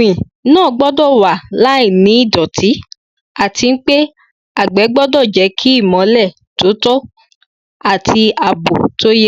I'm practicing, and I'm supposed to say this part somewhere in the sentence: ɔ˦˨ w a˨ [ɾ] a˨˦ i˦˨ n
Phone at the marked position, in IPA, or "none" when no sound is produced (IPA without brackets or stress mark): l